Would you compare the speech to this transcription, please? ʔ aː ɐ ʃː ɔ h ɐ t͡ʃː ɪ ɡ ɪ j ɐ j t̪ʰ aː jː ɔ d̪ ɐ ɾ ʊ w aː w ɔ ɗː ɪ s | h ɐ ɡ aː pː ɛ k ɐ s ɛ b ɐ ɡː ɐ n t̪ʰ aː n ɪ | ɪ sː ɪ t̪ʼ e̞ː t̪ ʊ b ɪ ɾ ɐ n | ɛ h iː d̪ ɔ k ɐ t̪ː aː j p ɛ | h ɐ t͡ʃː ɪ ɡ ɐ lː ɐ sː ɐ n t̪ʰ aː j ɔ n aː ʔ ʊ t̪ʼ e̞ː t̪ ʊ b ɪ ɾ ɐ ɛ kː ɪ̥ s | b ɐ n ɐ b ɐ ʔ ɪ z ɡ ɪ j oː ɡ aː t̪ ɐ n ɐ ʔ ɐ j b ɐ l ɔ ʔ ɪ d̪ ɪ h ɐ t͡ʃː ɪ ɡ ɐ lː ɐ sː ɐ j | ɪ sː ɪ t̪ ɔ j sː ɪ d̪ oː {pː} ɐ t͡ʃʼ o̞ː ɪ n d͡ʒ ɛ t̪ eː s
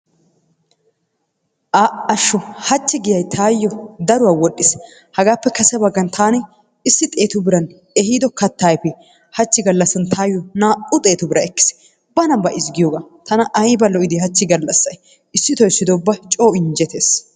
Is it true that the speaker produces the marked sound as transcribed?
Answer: no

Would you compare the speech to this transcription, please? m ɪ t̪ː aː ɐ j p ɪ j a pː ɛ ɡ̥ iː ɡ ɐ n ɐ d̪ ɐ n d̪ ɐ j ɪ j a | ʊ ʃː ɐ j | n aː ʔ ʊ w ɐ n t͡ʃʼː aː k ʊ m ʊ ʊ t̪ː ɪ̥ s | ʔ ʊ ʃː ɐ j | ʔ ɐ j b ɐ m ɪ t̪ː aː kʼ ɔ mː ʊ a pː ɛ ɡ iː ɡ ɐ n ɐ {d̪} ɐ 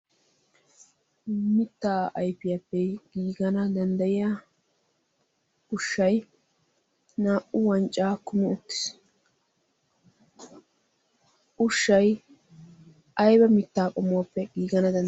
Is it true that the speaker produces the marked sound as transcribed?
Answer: yes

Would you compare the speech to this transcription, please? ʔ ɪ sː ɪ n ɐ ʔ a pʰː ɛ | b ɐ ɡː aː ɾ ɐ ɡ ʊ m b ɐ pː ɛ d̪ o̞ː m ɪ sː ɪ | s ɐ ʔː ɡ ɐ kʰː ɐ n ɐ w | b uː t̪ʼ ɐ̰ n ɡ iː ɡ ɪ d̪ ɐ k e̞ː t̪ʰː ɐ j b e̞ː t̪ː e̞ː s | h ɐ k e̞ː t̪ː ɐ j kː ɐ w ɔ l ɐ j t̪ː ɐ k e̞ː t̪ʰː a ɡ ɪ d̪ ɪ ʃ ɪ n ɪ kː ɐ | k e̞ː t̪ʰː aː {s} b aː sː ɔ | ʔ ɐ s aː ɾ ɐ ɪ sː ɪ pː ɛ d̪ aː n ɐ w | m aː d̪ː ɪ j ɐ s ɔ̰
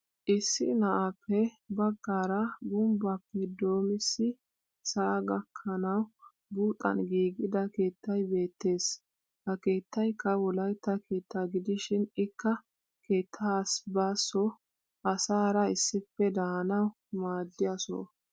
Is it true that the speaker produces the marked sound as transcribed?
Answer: yes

